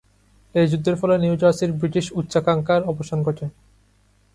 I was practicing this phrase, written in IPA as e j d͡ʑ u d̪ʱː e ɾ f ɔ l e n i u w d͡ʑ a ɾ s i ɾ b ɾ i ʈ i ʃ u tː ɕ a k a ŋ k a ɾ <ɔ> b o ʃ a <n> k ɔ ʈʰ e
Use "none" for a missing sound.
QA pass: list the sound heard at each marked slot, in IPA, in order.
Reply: ɔ, n

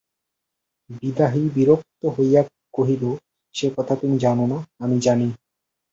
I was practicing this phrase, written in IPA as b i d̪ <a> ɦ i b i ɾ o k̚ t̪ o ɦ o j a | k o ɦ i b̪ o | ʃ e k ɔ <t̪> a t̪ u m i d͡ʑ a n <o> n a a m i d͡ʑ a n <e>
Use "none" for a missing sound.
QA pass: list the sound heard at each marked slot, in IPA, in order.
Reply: a, t̪ʰ, o, i

